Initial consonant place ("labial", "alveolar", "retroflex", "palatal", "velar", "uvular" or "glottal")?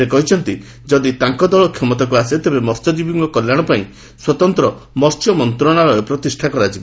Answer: velar